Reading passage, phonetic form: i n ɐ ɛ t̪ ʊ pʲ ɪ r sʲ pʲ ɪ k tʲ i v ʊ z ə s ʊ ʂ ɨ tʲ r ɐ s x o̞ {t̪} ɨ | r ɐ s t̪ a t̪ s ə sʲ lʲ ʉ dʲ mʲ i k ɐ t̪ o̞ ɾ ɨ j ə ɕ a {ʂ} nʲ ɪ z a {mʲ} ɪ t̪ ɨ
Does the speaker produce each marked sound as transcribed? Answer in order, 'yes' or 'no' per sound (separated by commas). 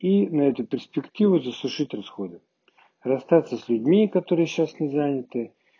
no, no, no